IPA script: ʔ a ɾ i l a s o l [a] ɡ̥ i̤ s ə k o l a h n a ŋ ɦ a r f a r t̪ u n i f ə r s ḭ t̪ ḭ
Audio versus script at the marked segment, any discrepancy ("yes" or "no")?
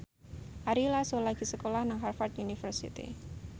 no